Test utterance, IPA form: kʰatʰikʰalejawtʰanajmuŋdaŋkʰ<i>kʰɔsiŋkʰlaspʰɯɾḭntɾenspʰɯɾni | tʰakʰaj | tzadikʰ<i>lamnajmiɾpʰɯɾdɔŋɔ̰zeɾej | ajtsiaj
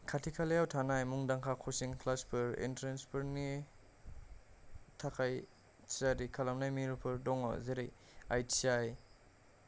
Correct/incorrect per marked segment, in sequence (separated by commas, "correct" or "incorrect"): incorrect, incorrect